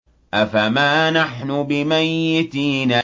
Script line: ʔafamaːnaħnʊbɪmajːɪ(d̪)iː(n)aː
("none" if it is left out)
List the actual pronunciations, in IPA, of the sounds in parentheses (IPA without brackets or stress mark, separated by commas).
t̪, n